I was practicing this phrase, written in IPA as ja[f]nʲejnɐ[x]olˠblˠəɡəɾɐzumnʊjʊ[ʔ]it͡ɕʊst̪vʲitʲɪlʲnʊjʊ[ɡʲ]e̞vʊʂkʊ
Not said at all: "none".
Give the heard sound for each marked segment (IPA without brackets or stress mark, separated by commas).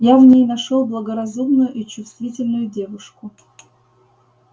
v, ʂ, ʔ, dʲ